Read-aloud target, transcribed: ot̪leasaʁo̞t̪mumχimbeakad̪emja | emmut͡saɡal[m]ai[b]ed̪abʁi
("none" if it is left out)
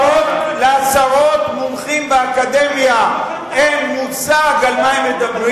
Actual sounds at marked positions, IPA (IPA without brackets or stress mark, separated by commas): m, m